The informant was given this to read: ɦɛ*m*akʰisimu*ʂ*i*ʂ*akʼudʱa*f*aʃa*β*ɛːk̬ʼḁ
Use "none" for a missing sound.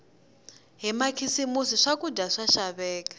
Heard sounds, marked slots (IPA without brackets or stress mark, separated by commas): m, s, ʂ, ʂ, β